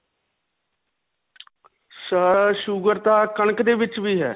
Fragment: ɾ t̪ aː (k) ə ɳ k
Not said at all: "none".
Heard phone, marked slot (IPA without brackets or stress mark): k